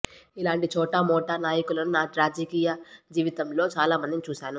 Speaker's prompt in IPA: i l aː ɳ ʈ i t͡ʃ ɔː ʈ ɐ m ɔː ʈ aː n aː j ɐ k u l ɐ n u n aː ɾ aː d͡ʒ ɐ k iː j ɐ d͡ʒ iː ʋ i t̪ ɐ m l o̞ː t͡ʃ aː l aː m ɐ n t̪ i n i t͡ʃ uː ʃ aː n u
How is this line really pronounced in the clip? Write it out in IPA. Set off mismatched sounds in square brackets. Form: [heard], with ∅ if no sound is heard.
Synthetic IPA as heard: i l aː ɳ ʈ i t͡ʃ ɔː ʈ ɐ m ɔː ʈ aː n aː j ɐ k u l ɐ n u n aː ɾ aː d͡ʒ ɐ k iː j ɐ d͡ʒ iː ʋ i t̪ ɐ m l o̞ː t͡ʃ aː l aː m ɐ n [d̪] i n i t͡ʃ uː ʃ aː n u